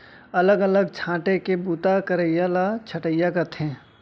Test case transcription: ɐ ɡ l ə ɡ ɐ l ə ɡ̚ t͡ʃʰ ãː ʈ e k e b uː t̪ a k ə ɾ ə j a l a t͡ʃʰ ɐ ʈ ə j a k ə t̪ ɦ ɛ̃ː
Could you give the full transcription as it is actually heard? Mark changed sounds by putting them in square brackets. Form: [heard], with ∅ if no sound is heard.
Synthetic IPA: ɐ [∅] l ə ɡ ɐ l ə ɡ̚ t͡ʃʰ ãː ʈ e k e b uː t̪ a k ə ɾ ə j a l a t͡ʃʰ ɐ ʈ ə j a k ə t̪ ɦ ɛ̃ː